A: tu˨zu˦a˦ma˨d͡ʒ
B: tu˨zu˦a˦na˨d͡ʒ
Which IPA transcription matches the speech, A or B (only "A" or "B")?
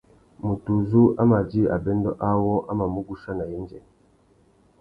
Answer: A